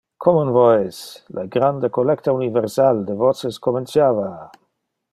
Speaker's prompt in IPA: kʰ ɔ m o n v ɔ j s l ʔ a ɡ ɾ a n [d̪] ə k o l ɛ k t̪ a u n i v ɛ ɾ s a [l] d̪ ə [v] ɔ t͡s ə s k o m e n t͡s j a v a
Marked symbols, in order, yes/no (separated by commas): yes, yes, yes